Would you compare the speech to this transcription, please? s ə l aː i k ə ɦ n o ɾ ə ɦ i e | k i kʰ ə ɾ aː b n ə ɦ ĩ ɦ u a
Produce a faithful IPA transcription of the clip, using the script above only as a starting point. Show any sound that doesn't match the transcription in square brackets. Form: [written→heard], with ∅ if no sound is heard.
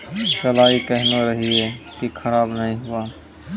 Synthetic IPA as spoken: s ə l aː i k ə ɦ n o ɾ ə ɦ i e | k i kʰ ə ɾ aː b n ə ɦ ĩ ɦ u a